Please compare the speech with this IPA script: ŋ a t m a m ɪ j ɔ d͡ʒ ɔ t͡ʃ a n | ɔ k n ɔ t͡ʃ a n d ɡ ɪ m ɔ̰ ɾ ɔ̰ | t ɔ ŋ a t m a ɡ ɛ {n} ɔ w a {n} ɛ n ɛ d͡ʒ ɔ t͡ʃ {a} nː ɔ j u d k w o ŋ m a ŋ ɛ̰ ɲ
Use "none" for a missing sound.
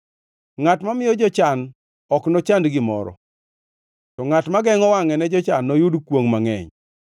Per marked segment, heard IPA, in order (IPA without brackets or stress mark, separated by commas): ŋ, ŋ, a